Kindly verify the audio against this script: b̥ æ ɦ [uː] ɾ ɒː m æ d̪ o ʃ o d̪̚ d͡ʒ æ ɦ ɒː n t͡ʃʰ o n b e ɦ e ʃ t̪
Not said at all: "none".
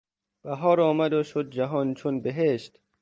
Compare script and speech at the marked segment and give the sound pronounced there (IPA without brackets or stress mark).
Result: ɒː